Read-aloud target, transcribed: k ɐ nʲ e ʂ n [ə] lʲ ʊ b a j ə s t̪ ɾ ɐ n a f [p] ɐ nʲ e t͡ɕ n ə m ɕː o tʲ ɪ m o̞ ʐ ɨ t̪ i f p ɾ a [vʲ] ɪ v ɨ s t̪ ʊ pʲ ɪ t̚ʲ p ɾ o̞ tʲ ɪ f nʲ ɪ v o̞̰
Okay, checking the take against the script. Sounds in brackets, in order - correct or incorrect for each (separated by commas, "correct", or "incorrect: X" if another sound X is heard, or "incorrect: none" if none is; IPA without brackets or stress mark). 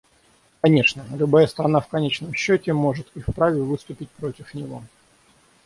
correct, incorrect: k, correct